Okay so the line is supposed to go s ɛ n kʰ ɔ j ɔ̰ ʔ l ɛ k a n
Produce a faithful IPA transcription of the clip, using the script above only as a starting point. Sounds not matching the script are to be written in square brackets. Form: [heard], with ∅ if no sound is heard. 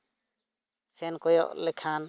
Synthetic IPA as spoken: s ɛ n [k] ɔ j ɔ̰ ʔ l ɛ [kʰ] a n